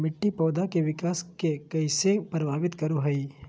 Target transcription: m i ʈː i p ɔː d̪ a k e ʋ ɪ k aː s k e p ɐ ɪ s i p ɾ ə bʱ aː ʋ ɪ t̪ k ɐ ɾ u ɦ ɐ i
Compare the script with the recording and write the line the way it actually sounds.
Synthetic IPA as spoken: m ɪ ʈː i p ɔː d̪ a k e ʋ ɪ k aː s k e k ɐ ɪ s e p ɾ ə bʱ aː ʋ ɪ t̪ k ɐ ɾ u ɦ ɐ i